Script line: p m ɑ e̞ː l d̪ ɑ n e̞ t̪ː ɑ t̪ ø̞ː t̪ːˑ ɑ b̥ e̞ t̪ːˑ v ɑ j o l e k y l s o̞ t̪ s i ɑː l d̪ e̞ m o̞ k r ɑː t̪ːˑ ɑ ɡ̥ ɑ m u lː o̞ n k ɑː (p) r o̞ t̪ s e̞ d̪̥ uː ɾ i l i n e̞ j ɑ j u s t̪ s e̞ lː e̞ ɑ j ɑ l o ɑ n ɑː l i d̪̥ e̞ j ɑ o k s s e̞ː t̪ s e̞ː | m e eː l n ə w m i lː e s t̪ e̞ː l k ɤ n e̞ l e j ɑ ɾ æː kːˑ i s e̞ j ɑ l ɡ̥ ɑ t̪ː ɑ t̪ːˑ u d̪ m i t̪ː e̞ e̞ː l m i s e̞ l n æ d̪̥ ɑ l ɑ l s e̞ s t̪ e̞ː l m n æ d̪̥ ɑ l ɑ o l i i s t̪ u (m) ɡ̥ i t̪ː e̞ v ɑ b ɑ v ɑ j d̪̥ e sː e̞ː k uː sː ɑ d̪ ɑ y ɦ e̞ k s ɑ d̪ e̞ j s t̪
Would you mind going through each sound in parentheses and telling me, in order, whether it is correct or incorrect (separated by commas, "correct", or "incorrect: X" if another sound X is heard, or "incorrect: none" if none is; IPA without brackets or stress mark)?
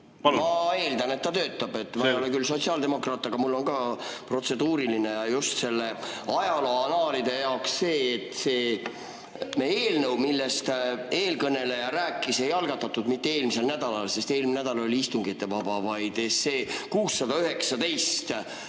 correct, incorrect: ŋ